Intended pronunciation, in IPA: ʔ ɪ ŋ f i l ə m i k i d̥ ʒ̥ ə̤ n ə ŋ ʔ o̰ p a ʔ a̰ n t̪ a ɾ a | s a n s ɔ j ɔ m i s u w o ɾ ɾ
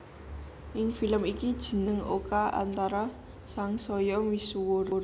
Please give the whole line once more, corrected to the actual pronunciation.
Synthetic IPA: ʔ ɪ ŋ f i l ə m i k i d̥ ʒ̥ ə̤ n ə ŋ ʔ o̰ k a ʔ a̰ n t̪ a ɾ a | s a ŋ s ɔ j ɔ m i s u w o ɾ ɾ

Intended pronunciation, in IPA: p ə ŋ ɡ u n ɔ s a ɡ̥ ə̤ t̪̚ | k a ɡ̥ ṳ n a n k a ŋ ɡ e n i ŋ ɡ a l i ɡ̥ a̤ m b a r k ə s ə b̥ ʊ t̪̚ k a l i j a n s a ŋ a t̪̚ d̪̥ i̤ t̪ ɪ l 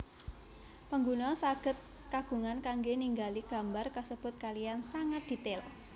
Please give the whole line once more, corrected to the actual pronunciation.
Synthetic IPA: p ə ŋ ɡ u n ɔ s a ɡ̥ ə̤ t̪̚ | k a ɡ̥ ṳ ŋ a n k a ŋ ɡ e n i ŋ ɡ a l i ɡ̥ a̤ m b a r k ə s ə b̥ ʊ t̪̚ k a l i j a n s a ŋ a t̪̚ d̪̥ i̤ t̪ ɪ l

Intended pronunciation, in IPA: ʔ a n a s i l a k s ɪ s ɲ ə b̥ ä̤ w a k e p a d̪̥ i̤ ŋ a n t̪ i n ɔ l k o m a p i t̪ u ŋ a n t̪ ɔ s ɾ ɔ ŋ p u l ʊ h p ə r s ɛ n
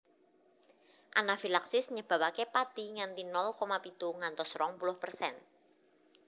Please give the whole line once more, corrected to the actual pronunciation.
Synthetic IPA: ʔ a n a f i l a k s ɪ s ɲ ə b̥ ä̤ w a k e p a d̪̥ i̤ ŋ a n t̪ i n ɔ l k o m a p i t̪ u ŋ a n t̪ ɔ s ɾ ɔ ŋ p u l ʊ h p ə r s ɛ n

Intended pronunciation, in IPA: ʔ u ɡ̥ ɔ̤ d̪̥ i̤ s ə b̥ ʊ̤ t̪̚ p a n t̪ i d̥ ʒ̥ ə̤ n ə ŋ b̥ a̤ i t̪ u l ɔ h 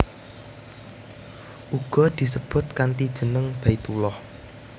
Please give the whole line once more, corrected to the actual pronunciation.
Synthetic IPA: ʔ u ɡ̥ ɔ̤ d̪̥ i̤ s ə b̥ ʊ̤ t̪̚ k a n t̪ i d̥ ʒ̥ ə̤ n ə ŋ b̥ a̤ i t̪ u l ɔ h

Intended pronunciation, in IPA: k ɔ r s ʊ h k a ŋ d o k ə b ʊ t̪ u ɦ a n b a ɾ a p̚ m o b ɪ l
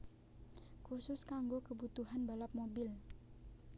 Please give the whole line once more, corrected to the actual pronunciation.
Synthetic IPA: k u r s ʊ s k a ŋ ɡ o k ə b u t̪ u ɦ a n b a l a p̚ m o b ɪ l

